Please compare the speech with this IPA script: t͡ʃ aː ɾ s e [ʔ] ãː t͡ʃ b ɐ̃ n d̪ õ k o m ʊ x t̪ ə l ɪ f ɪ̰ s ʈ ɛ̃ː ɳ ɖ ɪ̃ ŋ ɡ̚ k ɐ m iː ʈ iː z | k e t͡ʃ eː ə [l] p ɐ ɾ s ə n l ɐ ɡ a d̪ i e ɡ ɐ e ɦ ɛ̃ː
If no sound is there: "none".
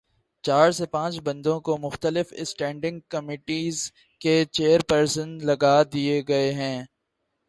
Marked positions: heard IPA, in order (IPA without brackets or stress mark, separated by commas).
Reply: p, ɾ